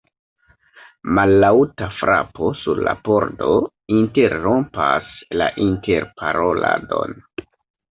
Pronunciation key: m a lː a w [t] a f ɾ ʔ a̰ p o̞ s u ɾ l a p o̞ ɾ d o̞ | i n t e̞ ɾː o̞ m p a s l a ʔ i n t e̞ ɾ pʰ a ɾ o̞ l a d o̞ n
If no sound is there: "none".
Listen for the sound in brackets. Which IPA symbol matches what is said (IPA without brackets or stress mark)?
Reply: t